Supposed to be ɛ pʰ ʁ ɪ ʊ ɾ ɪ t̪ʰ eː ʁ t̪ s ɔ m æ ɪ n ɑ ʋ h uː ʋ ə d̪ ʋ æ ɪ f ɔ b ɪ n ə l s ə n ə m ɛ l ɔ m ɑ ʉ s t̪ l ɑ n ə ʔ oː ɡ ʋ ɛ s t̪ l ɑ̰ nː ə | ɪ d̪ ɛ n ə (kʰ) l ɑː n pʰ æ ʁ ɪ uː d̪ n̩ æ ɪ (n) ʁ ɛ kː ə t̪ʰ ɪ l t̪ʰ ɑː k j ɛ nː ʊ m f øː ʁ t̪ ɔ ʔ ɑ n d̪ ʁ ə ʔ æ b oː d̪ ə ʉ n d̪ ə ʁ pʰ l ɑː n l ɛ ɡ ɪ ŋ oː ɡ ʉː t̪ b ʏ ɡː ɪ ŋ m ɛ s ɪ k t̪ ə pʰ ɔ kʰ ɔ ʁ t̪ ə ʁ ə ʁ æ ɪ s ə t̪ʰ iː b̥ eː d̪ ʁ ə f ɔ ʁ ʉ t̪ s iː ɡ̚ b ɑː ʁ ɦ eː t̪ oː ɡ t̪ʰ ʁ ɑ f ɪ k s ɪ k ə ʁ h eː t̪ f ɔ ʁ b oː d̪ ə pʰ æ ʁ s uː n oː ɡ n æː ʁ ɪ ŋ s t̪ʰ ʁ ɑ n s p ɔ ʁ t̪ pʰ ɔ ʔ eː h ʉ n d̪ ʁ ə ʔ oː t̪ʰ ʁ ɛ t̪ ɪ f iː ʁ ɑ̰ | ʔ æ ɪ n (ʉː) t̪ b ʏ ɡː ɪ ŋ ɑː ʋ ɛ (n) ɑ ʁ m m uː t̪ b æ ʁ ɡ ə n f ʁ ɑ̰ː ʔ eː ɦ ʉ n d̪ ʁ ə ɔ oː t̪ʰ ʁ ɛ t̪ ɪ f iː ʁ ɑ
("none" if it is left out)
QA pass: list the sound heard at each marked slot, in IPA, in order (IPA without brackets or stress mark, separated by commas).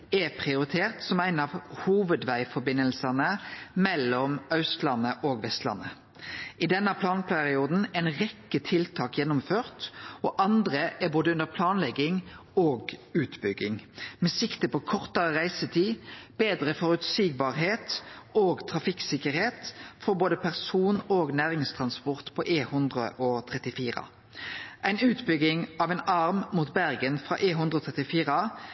pʰ, n, ʉː, n